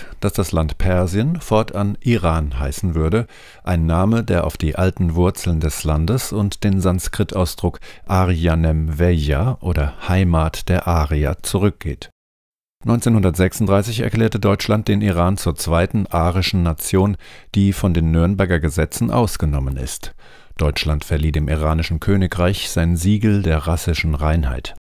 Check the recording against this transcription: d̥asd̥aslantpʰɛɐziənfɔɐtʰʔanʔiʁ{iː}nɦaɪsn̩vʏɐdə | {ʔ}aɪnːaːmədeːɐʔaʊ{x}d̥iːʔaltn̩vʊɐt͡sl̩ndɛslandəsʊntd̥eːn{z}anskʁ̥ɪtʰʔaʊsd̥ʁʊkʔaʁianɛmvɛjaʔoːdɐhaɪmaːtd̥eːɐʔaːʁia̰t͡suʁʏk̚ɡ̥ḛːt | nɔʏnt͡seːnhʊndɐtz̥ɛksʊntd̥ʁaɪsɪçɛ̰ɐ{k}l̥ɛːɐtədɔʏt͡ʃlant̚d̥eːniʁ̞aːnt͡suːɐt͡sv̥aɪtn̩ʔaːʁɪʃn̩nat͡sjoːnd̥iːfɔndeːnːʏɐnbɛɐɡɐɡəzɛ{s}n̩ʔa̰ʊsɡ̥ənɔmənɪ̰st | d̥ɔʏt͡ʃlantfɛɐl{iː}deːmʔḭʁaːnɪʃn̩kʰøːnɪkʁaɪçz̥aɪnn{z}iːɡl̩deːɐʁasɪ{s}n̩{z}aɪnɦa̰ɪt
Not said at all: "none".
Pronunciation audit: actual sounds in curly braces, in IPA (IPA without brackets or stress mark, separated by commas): aː, ʔ, f, z, k, t͡s, iː, z, ʃ, ʁ